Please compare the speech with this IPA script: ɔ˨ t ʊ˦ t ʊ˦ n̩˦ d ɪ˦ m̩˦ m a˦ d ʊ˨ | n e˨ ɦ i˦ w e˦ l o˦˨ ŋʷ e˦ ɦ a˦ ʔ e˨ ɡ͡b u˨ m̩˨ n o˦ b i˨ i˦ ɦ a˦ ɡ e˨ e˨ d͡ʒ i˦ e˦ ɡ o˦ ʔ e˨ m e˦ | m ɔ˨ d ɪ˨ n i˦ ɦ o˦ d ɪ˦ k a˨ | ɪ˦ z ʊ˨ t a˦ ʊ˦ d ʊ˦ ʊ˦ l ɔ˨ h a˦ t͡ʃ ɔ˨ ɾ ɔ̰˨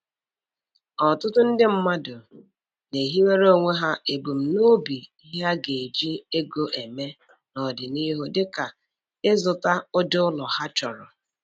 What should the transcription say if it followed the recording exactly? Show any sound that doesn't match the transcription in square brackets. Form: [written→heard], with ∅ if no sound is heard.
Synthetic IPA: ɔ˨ t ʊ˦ t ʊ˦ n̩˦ d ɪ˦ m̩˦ m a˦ d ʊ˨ | n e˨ ɦ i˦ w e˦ [l→ɾ] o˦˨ ŋʷ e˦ ɦ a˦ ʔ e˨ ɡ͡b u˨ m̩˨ n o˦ b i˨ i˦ ɦ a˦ ɡ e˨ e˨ d͡ʒ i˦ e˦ ɡ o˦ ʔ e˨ m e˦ | [m→n] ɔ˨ d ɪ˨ n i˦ ɦ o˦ d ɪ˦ k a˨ | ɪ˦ z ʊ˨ t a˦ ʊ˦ d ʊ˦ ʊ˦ l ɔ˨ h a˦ t͡ʃ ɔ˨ ɾ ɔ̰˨